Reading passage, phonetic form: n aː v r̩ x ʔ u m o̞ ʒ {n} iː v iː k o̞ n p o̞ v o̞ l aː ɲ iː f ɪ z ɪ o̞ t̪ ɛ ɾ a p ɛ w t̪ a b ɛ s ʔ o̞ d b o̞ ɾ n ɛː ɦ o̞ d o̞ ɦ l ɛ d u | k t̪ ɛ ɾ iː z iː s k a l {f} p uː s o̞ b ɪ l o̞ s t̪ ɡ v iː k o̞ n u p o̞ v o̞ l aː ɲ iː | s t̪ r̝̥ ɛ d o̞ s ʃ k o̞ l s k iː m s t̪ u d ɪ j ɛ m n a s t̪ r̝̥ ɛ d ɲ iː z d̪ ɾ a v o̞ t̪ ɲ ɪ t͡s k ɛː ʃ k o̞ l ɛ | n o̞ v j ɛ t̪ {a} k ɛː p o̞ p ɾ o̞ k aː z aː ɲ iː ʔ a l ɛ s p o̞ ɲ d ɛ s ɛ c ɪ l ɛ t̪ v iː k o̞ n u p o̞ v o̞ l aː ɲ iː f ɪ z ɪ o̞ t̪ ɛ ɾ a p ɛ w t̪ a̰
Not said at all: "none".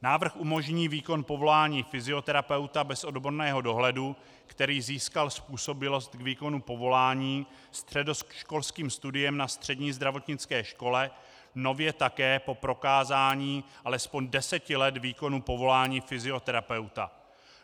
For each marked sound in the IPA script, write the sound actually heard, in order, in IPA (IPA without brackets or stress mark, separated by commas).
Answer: ɲ, s, a